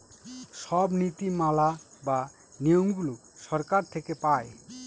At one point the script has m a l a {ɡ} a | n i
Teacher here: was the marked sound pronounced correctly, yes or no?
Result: no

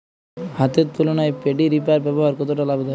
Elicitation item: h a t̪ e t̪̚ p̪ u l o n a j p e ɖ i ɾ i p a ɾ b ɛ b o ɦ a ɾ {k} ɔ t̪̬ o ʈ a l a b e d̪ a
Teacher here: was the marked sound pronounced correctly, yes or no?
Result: yes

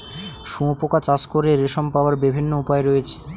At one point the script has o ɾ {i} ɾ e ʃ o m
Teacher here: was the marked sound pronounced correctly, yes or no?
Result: no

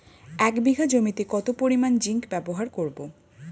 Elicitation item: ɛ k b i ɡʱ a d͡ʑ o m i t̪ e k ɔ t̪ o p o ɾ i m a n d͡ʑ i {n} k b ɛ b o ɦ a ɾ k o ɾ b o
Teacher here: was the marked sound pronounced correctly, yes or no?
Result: no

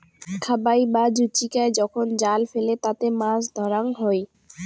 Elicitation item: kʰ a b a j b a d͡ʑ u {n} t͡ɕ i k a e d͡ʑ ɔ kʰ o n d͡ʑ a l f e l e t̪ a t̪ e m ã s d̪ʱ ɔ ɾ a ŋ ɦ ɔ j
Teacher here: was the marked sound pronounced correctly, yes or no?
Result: no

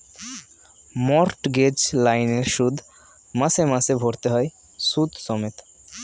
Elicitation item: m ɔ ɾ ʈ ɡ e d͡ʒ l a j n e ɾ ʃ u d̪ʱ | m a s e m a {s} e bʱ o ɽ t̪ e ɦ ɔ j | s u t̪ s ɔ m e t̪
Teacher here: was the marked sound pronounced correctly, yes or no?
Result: yes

